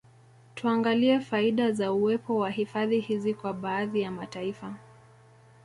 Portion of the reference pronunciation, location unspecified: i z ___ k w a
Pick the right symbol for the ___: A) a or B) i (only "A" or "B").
B